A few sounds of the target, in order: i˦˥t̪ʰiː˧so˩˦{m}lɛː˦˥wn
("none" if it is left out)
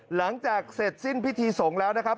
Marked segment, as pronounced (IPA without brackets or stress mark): ŋ